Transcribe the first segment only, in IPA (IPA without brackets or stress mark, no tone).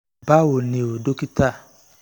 b